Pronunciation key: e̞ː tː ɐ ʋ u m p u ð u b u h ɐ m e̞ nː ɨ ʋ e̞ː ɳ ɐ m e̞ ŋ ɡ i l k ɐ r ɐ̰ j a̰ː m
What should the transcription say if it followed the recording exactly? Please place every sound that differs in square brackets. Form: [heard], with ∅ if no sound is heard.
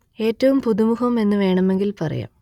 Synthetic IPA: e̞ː tː ɐ ʋ u m p u ð u [m] u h ɐ m e̞ nː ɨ ʋ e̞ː ɳ ɐ m e̞ ŋ ɡ i l [p] ɐ r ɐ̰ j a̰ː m